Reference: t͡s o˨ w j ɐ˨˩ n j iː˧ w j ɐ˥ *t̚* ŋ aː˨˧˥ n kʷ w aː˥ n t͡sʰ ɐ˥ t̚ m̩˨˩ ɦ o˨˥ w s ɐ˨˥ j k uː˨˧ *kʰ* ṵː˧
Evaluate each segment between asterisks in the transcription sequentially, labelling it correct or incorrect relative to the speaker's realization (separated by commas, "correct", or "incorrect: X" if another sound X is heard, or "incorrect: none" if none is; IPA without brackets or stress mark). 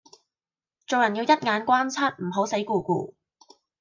correct, incorrect: k